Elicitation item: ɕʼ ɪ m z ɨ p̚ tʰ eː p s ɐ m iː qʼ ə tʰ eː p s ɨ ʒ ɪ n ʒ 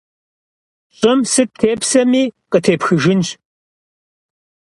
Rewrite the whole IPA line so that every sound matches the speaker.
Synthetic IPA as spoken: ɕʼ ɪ m s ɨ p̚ tʰ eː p s ɐ m iː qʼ ə tʰ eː p x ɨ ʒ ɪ n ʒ